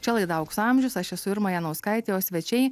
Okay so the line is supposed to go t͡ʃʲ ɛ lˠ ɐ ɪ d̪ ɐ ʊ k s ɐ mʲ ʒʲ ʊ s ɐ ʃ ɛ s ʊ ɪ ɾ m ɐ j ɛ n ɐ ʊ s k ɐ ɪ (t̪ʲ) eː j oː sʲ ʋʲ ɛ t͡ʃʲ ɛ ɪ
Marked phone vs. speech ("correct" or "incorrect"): correct